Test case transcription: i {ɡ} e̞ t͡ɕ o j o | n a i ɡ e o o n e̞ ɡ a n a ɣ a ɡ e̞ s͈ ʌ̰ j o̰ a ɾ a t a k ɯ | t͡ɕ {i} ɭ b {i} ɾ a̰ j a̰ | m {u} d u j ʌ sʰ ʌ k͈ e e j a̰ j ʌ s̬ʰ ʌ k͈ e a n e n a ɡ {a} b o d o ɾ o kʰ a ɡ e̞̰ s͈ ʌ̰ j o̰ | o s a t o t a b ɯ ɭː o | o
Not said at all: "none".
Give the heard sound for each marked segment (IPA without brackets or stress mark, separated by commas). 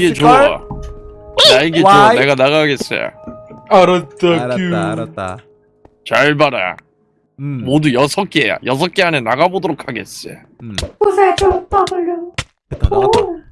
ɡ, a, a, o, a